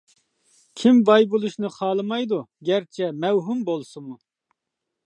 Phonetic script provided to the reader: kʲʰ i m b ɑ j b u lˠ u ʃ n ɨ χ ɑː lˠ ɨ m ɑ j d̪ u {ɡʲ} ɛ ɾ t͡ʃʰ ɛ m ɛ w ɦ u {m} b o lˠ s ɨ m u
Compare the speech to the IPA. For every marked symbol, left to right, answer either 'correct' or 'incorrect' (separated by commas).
correct, correct